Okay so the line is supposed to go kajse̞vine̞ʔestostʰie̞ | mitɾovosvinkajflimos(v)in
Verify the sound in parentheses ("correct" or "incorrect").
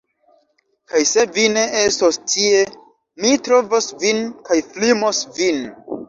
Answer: correct